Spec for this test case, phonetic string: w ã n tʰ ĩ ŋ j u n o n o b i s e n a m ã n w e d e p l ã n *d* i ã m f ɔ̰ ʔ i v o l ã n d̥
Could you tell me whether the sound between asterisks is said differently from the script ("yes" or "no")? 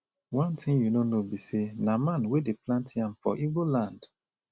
yes